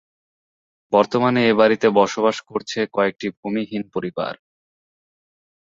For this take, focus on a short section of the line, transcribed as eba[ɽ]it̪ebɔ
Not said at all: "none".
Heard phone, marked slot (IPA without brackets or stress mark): ɾ